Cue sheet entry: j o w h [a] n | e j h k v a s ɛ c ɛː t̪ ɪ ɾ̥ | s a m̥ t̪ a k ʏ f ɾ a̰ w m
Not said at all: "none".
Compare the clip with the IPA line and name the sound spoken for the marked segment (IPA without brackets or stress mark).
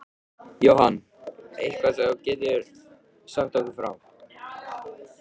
a